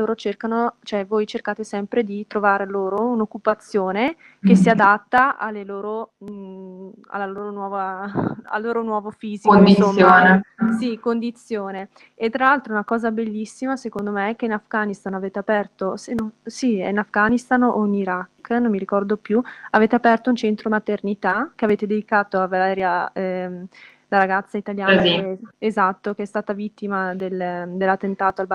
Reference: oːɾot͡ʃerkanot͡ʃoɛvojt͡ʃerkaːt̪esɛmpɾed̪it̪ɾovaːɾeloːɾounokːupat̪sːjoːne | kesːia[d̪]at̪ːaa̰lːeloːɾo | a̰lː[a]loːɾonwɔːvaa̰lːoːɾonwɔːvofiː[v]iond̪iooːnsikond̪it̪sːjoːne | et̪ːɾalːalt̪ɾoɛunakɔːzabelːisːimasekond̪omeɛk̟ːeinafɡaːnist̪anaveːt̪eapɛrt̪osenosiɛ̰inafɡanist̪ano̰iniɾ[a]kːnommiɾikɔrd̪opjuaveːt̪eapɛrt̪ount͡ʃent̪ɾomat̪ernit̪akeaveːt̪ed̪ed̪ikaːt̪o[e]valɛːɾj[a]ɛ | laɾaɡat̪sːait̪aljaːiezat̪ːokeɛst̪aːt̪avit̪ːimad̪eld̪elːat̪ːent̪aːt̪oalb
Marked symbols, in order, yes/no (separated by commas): yes, yes, no, yes, no, yes